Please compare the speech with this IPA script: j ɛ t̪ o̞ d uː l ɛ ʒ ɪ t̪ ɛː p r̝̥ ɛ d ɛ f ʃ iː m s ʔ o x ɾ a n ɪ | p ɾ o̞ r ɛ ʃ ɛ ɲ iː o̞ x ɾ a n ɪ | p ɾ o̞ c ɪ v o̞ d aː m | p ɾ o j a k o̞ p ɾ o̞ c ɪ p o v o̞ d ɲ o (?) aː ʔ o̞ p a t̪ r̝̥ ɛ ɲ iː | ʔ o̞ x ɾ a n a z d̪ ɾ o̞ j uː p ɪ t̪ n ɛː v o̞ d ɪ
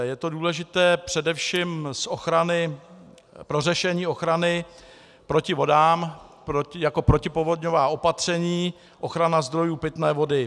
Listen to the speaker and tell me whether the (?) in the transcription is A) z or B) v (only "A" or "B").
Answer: B